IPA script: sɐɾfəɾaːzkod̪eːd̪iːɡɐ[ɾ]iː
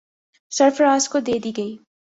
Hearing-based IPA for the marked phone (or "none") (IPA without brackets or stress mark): none